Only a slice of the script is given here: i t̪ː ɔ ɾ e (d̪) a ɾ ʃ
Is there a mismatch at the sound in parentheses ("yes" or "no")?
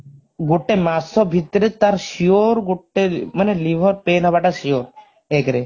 yes